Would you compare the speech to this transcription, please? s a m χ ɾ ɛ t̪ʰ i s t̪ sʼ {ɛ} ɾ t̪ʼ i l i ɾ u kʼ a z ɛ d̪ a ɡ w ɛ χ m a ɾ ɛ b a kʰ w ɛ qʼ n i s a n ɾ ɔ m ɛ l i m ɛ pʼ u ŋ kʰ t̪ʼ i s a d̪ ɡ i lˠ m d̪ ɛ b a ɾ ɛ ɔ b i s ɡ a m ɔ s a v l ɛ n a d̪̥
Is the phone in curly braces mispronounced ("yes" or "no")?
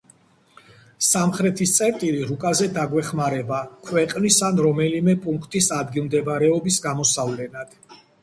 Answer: no